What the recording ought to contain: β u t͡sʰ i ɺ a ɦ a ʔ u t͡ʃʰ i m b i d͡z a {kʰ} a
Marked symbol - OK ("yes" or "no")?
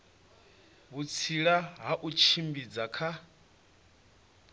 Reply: yes